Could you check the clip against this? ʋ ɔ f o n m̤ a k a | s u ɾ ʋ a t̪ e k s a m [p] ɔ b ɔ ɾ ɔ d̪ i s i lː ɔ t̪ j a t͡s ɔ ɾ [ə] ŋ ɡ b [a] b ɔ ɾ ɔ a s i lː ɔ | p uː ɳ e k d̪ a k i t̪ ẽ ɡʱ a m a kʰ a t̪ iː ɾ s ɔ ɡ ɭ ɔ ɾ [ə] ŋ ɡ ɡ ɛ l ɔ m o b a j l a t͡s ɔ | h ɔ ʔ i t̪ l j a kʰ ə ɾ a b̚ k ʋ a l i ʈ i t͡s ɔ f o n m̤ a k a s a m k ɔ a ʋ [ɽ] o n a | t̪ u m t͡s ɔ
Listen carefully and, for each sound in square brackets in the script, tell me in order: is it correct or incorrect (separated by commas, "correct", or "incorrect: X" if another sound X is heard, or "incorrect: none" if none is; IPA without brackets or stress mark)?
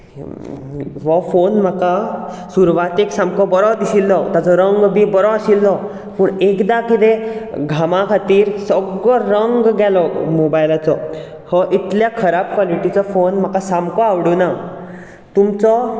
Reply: incorrect: k, correct, incorrect: i, correct, correct